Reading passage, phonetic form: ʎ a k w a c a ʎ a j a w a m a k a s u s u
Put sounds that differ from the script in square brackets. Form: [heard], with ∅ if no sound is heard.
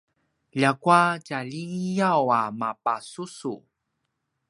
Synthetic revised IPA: ʎ a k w a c a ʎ [i] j a w a m a [p] a s u s u